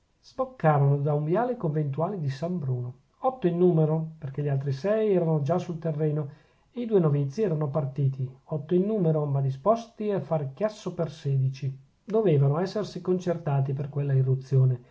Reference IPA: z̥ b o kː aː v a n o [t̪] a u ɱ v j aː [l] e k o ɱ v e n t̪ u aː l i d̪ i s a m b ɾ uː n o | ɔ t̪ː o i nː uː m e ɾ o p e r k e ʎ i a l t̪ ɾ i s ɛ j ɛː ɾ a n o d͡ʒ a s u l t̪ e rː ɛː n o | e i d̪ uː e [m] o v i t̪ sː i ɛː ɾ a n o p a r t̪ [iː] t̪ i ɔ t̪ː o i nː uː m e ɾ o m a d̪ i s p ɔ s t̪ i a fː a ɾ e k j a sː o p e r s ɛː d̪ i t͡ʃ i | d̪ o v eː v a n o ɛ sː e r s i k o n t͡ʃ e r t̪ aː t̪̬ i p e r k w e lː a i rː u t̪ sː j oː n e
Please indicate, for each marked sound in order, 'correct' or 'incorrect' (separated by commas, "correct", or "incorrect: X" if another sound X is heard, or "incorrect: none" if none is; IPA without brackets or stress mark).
incorrect: d̪, correct, incorrect: n, correct